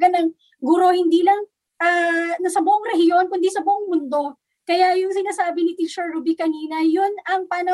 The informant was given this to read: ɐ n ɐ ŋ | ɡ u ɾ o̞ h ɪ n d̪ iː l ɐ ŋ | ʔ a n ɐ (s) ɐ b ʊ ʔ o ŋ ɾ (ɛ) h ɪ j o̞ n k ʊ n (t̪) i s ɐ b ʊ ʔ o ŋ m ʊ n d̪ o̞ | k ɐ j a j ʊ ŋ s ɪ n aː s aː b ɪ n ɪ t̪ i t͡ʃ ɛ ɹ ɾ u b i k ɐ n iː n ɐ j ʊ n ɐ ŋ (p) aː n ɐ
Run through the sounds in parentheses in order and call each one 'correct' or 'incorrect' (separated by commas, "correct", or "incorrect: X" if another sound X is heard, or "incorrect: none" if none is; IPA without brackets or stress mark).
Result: correct, correct, incorrect: d̪, correct